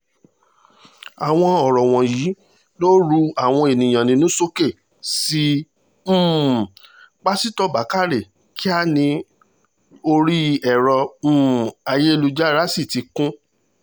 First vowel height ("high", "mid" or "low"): low